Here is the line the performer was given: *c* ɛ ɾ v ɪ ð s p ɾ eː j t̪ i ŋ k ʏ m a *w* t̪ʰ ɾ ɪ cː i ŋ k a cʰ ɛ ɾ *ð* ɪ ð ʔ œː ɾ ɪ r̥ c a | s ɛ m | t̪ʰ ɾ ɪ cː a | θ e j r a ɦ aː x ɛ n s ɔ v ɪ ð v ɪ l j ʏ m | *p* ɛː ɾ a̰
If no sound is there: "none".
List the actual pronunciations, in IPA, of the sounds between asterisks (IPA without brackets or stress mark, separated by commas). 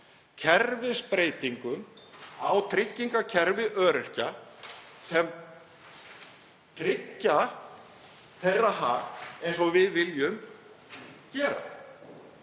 cʰ, w, v, c